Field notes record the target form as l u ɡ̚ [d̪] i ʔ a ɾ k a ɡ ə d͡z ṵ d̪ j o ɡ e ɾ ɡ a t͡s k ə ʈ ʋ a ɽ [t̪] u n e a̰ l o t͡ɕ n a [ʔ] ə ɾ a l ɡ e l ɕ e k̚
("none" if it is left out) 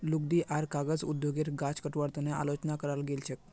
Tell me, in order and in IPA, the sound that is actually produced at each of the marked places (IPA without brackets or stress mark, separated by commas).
d̪, t̪, k